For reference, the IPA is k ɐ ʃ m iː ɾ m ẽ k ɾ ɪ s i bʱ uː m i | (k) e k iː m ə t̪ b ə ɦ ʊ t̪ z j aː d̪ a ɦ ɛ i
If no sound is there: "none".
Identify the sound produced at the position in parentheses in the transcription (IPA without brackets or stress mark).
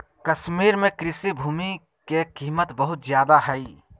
k